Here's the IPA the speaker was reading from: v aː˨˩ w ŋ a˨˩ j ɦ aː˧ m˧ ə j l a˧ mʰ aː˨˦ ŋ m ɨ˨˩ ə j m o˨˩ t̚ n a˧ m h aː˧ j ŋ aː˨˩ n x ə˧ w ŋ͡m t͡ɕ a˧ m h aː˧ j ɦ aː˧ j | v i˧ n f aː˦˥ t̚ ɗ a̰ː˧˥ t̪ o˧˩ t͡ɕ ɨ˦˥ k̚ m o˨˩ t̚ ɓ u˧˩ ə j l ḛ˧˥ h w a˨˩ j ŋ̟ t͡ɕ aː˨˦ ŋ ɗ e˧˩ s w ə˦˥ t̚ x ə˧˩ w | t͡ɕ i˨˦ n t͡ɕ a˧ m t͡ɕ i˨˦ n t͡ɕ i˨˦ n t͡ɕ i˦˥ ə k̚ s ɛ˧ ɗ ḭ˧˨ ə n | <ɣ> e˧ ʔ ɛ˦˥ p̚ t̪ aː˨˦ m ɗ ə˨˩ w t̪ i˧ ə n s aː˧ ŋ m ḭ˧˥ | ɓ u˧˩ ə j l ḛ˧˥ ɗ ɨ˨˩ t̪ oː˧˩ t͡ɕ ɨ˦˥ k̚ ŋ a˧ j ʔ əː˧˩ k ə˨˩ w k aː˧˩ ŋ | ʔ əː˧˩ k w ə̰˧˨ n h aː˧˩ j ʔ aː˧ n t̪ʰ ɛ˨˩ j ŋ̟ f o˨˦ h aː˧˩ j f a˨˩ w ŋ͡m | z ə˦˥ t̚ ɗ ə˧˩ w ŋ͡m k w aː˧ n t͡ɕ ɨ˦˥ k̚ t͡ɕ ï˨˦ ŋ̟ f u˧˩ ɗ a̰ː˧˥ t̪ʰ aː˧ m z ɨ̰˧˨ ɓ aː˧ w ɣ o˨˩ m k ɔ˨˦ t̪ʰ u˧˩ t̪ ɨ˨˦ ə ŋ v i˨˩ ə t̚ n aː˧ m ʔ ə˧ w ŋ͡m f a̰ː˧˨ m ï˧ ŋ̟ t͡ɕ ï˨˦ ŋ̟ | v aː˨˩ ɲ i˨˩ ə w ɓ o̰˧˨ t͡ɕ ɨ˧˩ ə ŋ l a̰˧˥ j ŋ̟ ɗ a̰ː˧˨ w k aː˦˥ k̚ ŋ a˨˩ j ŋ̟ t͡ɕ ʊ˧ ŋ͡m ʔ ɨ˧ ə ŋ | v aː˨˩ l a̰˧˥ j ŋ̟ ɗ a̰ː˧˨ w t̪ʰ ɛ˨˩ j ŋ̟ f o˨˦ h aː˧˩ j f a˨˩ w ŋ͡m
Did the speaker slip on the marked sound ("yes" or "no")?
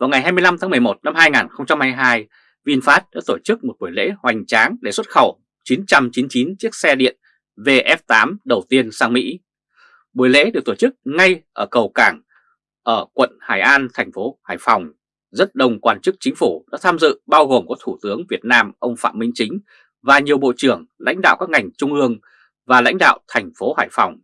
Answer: yes